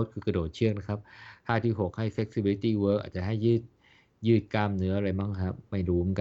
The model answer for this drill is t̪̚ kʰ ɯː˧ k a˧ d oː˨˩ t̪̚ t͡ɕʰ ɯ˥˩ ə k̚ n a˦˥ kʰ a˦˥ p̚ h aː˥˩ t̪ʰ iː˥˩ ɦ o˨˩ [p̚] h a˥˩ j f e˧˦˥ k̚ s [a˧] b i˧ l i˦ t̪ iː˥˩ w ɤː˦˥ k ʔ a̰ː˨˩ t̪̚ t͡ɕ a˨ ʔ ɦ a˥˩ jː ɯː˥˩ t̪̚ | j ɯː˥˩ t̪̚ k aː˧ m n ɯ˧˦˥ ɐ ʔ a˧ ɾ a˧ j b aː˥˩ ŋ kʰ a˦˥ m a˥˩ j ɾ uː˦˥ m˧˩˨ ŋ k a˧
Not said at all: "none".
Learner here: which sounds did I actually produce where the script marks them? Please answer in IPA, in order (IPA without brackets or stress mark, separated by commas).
k̚, i˧